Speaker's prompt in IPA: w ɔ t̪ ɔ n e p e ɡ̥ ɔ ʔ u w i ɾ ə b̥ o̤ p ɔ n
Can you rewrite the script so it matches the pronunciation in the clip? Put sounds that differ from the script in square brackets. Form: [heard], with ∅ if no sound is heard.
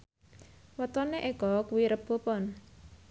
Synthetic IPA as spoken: w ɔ t̪ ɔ n e [ʔ] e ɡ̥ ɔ [k] u w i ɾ ə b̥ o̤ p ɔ n